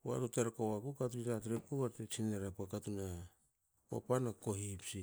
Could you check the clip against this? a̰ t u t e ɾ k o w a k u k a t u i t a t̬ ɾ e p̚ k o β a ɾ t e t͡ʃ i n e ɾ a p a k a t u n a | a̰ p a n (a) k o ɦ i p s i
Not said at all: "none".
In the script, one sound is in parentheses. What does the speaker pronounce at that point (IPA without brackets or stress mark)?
a